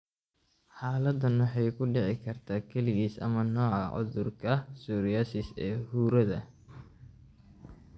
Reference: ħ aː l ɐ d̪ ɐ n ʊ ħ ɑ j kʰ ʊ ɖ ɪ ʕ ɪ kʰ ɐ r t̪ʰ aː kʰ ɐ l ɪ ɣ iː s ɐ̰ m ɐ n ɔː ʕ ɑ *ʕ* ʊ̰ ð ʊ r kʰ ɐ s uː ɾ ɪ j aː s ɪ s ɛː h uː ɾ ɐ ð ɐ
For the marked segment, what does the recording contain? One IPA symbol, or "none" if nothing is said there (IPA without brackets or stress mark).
ʕ